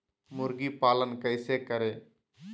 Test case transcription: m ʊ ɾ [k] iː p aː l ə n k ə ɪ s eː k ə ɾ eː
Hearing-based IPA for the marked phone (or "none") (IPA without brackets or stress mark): ɡ